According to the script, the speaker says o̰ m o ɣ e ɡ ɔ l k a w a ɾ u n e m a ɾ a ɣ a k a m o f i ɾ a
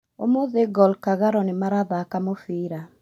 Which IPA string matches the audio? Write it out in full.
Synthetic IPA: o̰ m o ð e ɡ ɔ l k a ɣ a ɾ ɔ n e m a ɾ a ð a k a m o f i ɾ a